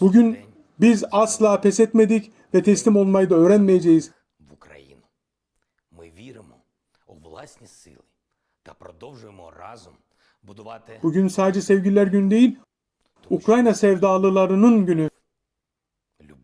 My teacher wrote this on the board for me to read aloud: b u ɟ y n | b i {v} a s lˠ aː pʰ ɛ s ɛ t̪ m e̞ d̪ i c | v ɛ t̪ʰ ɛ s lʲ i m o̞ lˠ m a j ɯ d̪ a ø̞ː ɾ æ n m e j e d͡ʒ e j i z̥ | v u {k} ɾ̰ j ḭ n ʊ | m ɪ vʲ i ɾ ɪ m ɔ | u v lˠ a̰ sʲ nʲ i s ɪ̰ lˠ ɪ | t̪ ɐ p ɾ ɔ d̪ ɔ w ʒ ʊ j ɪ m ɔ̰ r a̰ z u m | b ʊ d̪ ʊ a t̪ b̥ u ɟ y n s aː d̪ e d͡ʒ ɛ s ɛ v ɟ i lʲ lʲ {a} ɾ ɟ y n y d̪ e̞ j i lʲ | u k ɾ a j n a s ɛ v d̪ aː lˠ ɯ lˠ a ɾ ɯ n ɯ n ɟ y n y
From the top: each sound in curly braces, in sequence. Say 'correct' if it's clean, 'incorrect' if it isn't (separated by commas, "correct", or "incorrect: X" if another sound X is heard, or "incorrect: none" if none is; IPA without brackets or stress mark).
incorrect: z, correct, incorrect: æ